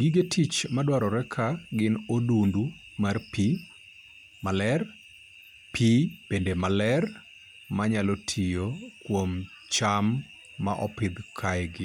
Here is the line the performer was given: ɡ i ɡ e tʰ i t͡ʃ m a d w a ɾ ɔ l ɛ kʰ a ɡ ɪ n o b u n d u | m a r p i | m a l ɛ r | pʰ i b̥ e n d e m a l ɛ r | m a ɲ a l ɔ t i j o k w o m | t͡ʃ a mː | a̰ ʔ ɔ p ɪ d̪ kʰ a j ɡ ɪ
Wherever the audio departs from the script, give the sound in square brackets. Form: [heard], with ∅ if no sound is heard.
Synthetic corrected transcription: ɡ i ɡ e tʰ i t͡ʃ m a d w a ɾ ɔ [ɾ] ɛ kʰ a ɡ ɪ n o [d] u n d u | m a r p i | m a l ɛ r | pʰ i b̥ e n d e m a l ɛ r | m a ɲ a l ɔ [tʰ] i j o k w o m | t͡ʃ a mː | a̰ ʔ ɔ p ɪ d̪ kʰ a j ɡ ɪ